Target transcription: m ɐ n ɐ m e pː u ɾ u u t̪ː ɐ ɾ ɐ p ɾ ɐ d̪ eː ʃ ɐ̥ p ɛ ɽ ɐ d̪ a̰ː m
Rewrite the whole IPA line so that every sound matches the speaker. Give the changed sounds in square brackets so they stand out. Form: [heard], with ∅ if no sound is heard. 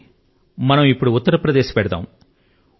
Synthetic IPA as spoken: m ɐ n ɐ m [i] pː u [ɽ] u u t̪ː ɐ ɾ ɐ p ɾ ɐ d̪ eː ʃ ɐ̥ p ɛ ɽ ɐ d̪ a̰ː m